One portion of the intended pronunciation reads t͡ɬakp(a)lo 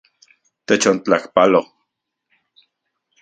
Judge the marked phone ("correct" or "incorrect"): correct